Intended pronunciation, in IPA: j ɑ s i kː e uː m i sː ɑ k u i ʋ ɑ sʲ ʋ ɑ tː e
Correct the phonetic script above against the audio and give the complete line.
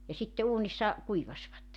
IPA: j ɑ s i tː e uː n i sː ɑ k u i ʋ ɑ sʲ ʋ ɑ tː e